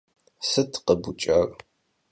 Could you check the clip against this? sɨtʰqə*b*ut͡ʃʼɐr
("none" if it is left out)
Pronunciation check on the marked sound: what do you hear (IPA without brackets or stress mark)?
b